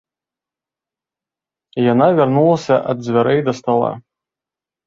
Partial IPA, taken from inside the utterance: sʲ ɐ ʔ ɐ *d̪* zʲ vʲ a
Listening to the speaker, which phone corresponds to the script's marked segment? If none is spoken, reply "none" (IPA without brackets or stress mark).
d̪